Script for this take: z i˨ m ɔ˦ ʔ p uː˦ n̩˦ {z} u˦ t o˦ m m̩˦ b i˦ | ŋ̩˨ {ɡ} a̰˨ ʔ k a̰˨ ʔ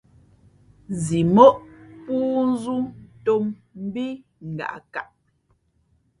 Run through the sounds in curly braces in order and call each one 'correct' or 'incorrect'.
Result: correct, correct

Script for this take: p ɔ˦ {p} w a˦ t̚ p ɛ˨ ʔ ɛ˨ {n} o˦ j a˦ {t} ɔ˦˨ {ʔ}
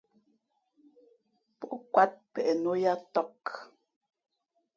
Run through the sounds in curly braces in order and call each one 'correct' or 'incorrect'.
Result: incorrect, correct, correct, incorrect

